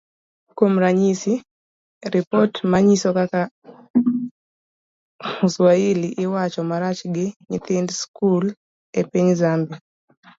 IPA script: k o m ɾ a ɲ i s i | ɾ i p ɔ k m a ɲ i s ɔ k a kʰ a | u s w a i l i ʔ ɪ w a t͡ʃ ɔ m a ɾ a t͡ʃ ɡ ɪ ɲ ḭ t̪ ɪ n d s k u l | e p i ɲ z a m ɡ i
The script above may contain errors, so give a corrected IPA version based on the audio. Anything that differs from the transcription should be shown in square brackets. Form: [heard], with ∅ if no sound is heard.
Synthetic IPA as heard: k o m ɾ a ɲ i s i | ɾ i p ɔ [t] m a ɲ i s ɔ k a [k] a | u s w a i l i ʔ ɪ w a t͡ʃ ɔ m a ɾ a t͡ʃ ɡ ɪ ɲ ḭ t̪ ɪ n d s k u l | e p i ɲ z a m [b] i